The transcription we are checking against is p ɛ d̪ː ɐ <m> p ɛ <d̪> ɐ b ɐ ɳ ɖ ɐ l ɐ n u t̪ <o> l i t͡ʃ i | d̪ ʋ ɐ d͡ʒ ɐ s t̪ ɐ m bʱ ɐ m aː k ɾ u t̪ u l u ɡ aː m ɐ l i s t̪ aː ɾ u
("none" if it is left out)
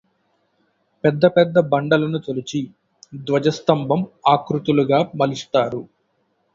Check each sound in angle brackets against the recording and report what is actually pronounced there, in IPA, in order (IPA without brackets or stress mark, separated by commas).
none, d̪ː, o